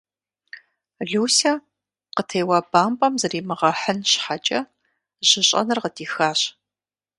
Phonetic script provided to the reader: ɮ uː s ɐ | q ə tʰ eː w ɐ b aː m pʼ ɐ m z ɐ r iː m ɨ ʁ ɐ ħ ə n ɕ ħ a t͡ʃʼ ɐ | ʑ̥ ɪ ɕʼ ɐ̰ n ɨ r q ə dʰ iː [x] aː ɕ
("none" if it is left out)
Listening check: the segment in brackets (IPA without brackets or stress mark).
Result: x